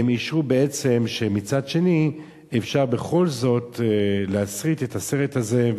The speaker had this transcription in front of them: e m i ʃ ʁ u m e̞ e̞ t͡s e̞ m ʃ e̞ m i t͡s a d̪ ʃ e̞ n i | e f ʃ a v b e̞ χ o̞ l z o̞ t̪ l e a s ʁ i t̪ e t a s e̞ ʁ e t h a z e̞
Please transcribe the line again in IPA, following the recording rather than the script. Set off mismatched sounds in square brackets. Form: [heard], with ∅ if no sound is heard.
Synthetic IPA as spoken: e m i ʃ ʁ u [b] e̞ e̞ t͡s e̞ m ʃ e̞ m i t͡s a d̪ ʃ e̞ n i | e f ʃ a [ʁ] b e̞ χ o̞ l z o̞ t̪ l e a s ʁ i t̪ e t a s e̞ ʁ e t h a z e̞